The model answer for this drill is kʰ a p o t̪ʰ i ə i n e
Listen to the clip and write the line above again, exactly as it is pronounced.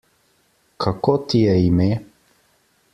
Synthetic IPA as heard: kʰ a k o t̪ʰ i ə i m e